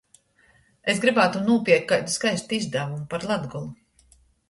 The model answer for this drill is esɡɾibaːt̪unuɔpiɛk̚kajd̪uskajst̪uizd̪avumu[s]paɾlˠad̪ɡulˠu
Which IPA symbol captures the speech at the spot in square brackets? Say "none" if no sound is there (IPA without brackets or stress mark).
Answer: none